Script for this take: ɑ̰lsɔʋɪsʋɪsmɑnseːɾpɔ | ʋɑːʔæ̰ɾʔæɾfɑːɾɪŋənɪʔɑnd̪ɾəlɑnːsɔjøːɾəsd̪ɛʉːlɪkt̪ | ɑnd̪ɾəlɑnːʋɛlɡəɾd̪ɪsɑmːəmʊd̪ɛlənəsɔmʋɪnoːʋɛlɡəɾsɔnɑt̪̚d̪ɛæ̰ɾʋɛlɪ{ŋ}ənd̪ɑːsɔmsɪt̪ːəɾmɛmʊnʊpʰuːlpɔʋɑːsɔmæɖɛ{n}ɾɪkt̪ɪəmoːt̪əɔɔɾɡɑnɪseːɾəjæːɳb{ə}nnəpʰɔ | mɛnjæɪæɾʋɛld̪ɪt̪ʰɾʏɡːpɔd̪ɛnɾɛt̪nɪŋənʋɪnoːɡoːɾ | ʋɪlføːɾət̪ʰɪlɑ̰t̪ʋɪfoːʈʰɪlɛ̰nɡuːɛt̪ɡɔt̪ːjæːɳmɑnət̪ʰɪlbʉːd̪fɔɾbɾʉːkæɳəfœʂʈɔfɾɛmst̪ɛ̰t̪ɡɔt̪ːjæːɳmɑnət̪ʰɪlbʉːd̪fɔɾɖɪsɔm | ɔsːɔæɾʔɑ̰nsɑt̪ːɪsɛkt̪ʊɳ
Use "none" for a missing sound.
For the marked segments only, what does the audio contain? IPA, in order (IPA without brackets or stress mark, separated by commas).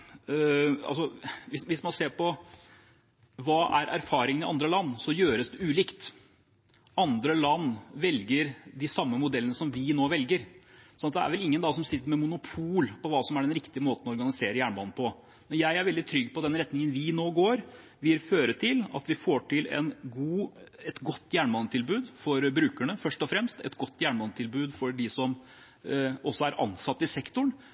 ŋː, n, ɑ